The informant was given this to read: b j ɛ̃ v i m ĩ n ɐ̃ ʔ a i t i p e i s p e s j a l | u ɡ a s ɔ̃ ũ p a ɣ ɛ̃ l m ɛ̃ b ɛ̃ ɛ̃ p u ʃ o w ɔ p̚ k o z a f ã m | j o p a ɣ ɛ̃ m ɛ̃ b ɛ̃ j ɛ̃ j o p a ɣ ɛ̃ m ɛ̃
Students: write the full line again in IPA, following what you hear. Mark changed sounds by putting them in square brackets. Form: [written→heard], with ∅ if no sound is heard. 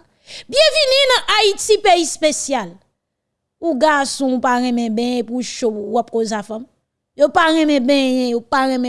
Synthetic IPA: b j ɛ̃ v i [m→n] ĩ n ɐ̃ ʔ a i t i p e i s p e s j a l | u ɡ a s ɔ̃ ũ p a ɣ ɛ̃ [l→∅] m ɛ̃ b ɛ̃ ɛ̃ p u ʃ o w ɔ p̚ k o z a f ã m | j o p a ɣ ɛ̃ m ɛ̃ b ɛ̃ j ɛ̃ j o p a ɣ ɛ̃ m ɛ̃